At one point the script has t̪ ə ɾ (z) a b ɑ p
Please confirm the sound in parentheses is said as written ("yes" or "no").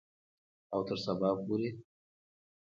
no